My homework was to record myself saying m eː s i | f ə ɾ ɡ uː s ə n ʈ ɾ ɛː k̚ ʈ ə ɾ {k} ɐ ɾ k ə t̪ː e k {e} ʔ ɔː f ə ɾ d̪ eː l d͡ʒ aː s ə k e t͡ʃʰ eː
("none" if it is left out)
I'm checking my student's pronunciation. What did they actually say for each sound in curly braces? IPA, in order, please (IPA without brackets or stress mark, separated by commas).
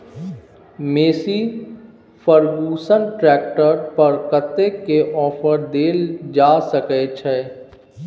p, e